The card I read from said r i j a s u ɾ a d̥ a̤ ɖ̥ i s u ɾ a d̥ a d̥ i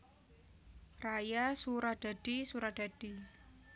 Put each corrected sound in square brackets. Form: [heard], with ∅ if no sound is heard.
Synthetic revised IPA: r [a] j a s u ɾ a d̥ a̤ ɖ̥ i s u ɾ a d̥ a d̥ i